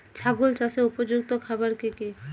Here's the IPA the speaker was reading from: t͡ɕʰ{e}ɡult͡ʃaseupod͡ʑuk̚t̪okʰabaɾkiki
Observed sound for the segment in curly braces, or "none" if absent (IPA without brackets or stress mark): a